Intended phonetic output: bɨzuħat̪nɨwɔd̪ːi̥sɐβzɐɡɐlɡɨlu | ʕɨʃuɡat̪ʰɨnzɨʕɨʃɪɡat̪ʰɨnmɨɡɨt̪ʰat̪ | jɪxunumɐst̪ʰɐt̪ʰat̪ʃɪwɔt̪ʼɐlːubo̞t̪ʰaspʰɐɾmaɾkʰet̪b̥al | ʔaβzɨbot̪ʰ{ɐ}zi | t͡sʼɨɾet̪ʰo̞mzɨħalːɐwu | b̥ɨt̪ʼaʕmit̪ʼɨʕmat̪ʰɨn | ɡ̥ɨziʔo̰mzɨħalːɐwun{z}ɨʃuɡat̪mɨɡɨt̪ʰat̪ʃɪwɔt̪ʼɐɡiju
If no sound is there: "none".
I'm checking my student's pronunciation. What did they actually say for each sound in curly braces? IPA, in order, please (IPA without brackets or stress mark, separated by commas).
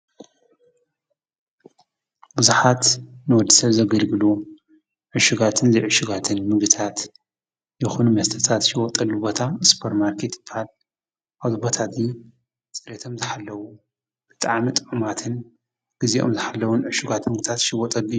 a, ʕ